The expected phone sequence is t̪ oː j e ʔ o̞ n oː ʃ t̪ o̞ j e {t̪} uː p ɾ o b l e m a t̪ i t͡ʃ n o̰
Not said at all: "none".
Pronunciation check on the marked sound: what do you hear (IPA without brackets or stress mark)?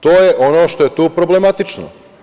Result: t̪